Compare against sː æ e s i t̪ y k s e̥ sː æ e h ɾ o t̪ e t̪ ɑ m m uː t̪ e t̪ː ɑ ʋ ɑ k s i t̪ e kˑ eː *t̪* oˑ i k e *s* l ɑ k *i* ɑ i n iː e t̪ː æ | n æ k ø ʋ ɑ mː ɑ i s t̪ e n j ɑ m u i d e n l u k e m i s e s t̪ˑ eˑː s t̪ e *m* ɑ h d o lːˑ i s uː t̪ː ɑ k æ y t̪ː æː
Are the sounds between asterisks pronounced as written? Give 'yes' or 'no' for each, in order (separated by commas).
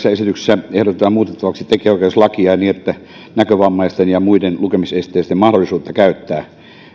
no, yes, yes, yes